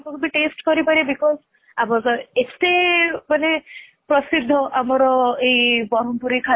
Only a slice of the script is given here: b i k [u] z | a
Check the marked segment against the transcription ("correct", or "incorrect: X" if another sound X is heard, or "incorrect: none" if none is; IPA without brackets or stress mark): incorrect: ɔ